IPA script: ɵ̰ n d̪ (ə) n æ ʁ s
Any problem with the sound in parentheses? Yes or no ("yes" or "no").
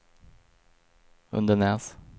no